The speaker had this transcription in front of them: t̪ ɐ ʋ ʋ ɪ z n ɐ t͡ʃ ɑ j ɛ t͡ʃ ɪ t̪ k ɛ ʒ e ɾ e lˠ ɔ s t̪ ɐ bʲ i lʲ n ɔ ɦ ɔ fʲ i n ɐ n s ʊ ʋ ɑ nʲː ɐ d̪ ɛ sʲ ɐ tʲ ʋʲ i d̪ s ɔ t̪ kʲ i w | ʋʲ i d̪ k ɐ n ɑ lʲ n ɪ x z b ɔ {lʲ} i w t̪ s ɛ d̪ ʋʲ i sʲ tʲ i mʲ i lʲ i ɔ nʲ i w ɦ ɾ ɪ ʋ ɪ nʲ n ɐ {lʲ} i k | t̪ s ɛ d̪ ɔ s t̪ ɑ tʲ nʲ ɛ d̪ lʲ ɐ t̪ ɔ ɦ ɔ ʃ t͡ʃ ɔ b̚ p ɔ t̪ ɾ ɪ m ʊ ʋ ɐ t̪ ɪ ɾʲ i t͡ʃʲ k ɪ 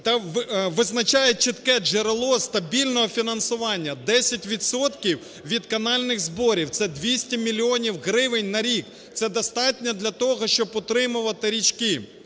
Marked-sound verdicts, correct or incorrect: incorrect, incorrect

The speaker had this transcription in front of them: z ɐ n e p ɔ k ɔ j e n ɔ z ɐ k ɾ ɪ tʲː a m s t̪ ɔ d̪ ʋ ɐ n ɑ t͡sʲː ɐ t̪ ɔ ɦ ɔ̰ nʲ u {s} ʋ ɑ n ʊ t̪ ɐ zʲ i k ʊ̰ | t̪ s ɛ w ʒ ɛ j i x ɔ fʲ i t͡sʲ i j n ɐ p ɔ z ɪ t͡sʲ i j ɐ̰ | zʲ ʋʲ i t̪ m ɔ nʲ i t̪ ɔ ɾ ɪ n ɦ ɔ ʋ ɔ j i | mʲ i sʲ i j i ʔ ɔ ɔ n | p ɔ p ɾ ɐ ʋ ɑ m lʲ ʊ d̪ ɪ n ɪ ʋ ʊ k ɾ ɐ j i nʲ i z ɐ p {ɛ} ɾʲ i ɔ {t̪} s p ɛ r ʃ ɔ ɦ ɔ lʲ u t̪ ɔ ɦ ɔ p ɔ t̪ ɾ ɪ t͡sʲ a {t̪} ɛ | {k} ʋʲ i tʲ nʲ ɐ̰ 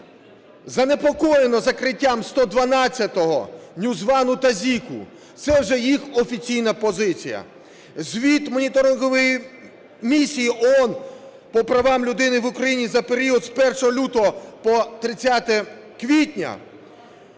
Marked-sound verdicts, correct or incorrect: incorrect, incorrect, incorrect, correct, correct

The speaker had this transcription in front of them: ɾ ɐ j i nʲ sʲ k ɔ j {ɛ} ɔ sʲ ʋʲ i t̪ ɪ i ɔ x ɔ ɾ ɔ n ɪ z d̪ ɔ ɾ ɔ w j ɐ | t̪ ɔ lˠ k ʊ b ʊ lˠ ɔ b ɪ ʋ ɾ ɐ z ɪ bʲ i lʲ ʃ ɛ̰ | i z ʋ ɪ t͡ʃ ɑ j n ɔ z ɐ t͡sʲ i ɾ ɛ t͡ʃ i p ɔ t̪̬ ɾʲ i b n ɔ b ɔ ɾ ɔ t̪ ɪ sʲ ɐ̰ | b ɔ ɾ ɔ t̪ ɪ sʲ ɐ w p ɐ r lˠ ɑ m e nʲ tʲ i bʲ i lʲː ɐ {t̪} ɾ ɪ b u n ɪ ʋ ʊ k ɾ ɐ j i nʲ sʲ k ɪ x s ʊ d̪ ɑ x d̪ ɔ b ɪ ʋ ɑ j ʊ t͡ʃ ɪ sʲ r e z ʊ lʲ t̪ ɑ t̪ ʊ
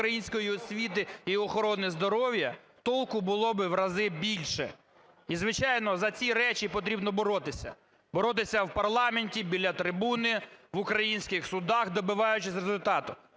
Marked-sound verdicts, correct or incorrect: incorrect, correct

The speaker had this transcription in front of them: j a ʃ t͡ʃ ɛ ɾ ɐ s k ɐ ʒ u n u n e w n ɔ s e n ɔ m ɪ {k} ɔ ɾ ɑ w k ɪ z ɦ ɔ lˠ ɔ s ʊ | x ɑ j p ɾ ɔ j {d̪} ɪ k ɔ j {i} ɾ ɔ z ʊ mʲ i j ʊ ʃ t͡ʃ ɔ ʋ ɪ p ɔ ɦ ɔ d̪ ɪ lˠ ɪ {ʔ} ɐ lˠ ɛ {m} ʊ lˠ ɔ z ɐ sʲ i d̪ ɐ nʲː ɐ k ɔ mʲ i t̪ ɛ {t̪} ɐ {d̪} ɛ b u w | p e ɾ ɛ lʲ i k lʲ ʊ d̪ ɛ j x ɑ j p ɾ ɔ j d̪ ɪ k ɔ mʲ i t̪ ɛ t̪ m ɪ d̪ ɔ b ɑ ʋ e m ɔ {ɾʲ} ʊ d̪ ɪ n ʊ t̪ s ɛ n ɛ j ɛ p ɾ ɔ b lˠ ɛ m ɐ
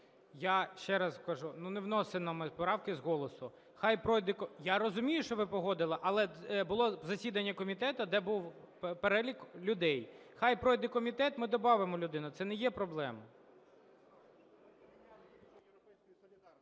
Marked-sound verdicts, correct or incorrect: incorrect, correct, incorrect, correct, incorrect, correct, correct, incorrect

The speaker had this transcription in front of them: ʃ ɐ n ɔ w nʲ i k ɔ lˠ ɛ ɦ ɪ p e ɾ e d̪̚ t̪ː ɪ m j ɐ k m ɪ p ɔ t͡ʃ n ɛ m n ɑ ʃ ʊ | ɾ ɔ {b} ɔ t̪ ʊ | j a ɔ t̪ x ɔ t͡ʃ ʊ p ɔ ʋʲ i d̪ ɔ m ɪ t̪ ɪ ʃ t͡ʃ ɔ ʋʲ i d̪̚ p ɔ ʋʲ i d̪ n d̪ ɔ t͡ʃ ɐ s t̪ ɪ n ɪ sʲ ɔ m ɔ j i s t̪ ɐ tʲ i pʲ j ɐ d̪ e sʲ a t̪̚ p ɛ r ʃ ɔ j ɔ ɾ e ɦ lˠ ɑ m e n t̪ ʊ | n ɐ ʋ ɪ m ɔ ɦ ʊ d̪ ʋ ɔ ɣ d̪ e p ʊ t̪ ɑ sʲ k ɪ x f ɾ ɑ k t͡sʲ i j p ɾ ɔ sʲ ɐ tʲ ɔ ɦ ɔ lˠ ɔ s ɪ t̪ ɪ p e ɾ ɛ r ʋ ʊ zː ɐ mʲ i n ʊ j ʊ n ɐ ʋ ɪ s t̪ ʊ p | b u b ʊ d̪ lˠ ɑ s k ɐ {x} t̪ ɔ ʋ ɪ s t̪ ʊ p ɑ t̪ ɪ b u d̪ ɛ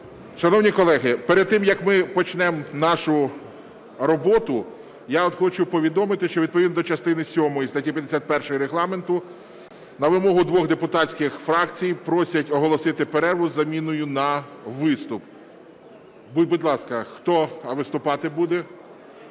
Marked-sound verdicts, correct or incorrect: correct, correct

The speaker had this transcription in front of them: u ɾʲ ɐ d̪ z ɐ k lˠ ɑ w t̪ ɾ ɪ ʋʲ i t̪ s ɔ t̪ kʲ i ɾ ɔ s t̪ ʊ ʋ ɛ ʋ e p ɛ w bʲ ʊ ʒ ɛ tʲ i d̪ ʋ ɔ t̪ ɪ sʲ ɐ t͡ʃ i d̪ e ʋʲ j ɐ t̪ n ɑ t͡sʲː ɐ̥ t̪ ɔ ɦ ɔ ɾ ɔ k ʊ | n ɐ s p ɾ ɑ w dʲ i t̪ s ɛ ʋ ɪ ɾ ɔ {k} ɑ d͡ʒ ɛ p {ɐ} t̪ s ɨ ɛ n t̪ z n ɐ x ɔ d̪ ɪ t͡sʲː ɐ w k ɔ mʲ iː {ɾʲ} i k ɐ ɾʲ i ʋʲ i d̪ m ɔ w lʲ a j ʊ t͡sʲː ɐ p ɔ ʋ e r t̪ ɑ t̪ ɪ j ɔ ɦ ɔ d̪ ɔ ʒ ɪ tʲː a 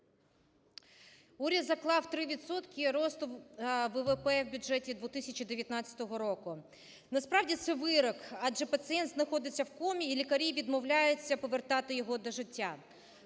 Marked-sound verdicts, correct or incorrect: correct, correct, incorrect

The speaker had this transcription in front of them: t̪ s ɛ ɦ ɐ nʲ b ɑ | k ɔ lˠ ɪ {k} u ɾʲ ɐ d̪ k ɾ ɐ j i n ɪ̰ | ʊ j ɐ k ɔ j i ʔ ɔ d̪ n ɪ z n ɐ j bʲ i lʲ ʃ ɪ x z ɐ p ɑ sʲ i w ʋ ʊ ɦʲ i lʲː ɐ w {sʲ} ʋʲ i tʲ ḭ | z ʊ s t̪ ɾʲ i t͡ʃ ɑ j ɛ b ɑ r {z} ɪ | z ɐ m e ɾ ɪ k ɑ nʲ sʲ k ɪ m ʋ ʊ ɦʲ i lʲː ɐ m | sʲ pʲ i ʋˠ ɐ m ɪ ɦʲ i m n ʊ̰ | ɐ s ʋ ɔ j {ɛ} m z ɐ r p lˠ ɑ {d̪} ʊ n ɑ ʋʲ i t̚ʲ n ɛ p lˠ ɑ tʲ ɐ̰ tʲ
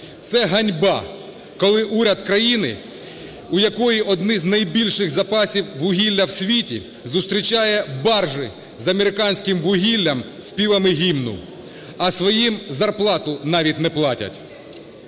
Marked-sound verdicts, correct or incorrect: incorrect, correct, incorrect, incorrect, incorrect

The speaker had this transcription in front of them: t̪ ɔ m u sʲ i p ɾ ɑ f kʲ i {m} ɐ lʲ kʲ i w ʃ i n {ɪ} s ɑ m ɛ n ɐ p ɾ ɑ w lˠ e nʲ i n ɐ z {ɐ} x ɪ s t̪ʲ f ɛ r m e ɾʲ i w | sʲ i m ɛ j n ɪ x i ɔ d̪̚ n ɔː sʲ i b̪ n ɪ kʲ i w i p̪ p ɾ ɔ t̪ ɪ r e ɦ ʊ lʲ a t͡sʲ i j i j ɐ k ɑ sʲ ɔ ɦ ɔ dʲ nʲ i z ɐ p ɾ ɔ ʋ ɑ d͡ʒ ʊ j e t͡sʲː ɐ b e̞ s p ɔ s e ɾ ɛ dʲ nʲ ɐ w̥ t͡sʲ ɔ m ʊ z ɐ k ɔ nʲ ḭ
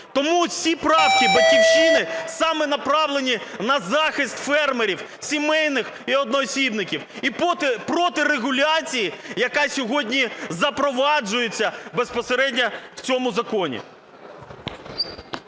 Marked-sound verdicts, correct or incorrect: incorrect, correct, incorrect

